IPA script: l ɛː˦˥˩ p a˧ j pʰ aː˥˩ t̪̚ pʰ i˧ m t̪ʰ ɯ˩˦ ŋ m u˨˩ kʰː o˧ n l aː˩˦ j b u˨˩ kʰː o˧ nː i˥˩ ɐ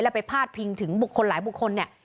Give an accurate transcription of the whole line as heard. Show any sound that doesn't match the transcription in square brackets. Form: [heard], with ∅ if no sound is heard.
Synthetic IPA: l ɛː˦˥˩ p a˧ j pʰ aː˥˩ t̪̚ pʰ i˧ [ŋ] t̪ʰ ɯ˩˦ ŋ [b] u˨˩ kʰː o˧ n l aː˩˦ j b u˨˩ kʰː o˧ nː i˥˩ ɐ